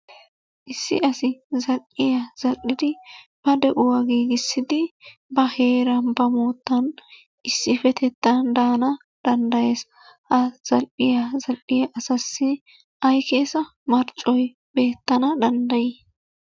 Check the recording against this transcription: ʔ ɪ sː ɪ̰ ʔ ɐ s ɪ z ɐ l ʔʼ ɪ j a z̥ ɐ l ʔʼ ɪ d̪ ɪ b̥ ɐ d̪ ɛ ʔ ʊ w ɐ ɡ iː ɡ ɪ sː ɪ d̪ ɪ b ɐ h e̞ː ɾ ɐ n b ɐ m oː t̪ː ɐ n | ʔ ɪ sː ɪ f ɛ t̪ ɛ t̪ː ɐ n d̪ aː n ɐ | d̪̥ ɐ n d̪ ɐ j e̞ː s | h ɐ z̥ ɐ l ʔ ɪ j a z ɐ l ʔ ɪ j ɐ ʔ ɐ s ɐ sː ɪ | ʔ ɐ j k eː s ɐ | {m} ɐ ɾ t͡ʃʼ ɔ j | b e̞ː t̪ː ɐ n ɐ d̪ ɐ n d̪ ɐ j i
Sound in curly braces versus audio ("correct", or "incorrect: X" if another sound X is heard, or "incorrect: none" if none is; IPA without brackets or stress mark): correct